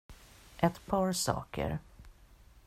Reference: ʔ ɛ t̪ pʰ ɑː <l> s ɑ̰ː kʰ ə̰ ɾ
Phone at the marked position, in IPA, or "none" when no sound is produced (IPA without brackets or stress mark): ɾ